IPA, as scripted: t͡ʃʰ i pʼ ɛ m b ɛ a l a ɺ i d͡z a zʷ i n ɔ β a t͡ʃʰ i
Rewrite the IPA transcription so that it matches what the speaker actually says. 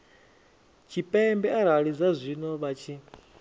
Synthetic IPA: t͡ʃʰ i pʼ ɛ m b ɛ a ɾ a ɺ i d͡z a zʷ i n ɔ β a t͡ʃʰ i